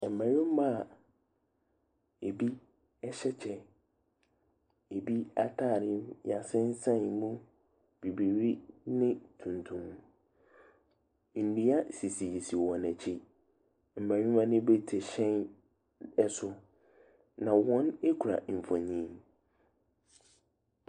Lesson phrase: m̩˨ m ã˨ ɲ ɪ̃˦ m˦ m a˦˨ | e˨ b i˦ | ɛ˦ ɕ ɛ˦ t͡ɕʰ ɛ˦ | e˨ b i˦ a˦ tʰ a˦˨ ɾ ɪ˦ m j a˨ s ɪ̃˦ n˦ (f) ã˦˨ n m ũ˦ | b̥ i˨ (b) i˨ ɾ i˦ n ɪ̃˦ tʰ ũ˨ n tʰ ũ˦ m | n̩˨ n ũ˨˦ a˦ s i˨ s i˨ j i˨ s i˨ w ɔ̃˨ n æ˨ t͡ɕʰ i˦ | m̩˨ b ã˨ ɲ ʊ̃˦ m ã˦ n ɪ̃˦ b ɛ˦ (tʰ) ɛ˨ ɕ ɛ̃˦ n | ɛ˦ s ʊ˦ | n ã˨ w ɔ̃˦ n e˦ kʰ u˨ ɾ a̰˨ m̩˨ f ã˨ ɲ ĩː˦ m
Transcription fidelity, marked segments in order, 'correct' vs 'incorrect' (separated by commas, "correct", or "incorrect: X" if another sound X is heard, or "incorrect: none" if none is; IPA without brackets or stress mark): incorrect: s, correct, correct